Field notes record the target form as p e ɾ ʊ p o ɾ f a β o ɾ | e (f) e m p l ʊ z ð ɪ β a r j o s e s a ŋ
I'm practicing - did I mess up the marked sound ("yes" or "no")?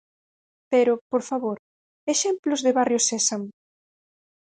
yes